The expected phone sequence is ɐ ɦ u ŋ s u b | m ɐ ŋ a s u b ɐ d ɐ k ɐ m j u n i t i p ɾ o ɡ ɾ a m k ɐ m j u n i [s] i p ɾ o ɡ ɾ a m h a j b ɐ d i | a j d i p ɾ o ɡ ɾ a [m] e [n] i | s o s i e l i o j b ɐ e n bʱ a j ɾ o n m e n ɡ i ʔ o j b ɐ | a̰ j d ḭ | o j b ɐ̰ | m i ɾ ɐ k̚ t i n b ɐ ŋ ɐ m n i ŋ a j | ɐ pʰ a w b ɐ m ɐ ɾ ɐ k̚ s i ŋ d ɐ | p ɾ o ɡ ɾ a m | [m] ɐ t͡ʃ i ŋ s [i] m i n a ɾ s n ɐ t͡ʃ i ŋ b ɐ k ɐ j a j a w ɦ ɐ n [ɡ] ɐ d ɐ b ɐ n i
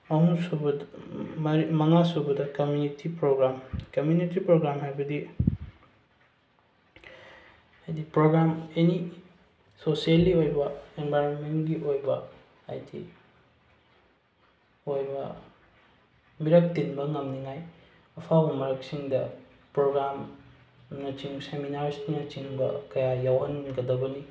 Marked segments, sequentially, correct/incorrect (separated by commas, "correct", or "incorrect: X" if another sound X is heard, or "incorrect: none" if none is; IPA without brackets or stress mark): incorrect: t, correct, correct, incorrect: n, incorrect: e, correct